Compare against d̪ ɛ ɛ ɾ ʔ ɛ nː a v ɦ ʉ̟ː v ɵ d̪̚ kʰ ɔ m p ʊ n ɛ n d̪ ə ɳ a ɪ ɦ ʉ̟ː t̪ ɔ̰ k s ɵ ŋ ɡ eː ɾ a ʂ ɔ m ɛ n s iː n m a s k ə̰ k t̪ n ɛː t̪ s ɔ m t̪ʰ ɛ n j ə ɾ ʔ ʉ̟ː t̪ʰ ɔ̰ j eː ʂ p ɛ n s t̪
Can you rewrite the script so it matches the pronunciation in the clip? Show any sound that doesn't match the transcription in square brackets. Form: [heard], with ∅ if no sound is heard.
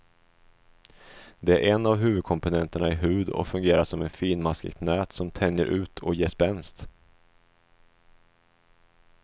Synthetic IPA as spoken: d̪ ɛ [æ] ɾ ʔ ɛ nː a v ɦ ʉ̟ː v ɵ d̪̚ kʰ ɔ m p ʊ n ɛ n [t̪] ə ɳ a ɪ ɦ ʉ̟ː [d̪] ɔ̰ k [f] ɵ ŋ ɡ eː ɾ a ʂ ɔ m ɛ n [f] iː n m a s k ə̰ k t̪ n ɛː t̪ s ɔ m t̪ʰ ɛ n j ə ɾ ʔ ʉ̟ː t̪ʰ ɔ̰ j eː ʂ p ɛ n s t̪